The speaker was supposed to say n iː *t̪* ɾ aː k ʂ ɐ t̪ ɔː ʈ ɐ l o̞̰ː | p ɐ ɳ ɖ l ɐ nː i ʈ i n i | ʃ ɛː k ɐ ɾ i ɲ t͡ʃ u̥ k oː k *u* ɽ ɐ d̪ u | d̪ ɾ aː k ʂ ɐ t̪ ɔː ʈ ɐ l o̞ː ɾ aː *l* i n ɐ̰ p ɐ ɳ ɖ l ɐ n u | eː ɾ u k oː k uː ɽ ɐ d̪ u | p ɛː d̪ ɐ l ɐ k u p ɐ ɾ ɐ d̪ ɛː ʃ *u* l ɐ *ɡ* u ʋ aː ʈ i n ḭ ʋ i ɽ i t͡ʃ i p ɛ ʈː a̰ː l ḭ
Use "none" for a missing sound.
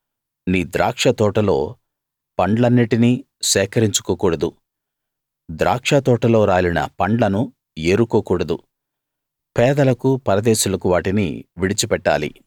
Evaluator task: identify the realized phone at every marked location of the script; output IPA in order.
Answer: d̪, uː, l, u, k

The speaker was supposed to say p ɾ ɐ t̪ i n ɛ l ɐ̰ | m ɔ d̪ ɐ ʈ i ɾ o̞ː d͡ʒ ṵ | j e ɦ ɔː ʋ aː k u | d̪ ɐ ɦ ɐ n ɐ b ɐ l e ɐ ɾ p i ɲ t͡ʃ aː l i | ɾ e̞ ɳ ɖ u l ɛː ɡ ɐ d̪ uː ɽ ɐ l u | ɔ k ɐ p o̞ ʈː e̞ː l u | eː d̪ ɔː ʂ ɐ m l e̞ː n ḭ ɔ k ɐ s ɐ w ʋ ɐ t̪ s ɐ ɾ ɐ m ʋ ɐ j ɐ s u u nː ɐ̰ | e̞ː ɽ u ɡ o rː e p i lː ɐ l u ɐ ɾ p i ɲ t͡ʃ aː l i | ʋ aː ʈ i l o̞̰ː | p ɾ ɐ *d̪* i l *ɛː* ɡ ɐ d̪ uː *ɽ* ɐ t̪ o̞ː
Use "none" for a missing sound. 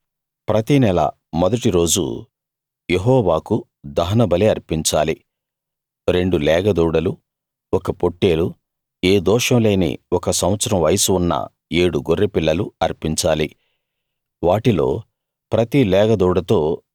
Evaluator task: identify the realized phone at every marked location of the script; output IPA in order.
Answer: t̪, ɛː, ɽ

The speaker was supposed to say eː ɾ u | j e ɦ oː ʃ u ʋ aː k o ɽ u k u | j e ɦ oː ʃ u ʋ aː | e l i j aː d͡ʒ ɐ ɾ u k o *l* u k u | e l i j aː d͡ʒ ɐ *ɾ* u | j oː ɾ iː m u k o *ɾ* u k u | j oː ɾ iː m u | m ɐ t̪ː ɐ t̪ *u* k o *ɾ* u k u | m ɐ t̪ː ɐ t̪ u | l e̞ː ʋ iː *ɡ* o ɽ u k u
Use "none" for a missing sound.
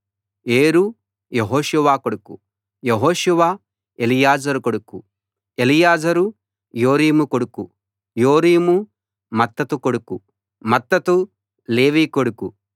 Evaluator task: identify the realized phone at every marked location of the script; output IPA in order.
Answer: ɽ, ɾ, ɽ, u, ɽ, k

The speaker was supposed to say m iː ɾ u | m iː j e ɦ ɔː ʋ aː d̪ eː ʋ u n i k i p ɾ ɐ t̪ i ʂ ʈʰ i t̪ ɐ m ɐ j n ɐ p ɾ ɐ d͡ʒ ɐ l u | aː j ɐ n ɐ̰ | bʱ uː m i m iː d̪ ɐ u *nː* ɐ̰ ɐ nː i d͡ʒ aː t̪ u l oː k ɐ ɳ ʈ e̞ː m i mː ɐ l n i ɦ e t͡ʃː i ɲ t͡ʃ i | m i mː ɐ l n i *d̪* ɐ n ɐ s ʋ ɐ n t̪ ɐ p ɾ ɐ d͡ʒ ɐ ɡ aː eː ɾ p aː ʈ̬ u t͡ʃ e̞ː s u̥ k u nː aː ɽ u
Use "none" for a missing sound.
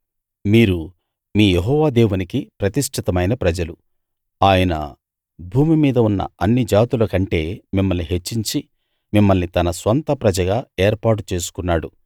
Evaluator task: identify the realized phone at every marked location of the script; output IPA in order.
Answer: nː, t̪

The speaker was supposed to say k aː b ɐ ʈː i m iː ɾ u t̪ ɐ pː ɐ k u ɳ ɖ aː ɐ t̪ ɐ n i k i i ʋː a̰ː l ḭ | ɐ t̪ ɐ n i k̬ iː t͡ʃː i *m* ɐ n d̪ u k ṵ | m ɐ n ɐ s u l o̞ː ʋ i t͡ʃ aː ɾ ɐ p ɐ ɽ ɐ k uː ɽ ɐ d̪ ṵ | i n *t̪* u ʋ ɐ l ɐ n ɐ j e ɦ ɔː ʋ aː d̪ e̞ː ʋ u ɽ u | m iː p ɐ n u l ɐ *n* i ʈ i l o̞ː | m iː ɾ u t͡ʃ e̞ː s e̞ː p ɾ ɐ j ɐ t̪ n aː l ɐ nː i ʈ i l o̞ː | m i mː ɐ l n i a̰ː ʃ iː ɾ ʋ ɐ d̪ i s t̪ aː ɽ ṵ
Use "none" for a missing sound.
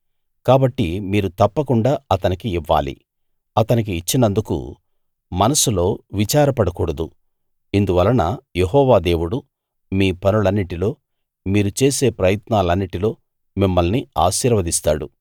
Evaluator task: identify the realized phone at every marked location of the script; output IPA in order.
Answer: n, d̪, nː

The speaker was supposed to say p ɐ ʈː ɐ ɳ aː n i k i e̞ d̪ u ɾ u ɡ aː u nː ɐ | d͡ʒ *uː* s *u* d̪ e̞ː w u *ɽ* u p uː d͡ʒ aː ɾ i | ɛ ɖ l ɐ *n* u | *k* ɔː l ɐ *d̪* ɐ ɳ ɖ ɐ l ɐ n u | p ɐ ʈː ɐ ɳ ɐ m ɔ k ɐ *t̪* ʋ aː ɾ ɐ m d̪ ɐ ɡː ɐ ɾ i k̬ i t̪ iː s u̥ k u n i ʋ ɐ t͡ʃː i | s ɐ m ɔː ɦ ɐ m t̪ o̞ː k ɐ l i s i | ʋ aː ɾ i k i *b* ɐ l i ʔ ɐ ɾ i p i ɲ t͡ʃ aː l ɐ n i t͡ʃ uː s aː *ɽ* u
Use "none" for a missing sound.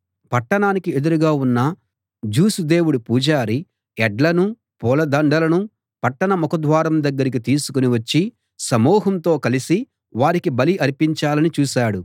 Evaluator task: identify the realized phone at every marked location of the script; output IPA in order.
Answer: uː, u, ɽ, n, p, d̪, d̪, b, ɽ

